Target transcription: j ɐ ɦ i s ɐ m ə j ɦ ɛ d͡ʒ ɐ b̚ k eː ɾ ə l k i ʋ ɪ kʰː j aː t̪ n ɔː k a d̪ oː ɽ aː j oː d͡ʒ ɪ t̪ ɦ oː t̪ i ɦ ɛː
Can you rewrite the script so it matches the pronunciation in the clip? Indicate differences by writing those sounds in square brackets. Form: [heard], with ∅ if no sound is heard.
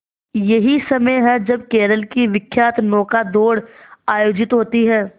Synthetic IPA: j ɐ ɦ i s ɐ m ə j ɦ ɛ d͡ʒ ɐ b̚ k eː ɾ ə l k i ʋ ɪ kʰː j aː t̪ n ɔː k a d̪ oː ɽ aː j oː d͡ʒ ɪ t̪ ɦ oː t̪ i ɦ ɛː